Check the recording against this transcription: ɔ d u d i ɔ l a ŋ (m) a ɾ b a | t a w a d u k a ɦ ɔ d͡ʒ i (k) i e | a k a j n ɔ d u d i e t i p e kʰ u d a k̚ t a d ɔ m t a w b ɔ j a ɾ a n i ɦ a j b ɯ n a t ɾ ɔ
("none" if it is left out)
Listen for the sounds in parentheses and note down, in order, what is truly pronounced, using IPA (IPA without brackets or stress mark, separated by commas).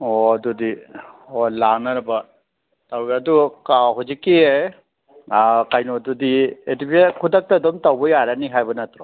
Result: n, k